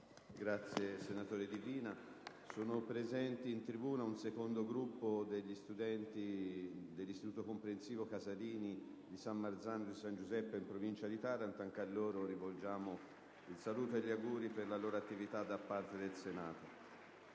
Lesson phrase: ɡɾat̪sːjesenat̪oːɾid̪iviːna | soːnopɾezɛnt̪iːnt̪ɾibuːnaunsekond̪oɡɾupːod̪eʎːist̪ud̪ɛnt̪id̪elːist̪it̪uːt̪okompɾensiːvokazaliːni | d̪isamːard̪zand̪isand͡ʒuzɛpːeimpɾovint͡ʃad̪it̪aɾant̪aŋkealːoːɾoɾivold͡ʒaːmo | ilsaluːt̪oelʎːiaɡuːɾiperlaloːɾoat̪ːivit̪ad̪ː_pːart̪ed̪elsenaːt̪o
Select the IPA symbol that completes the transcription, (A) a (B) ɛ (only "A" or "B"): A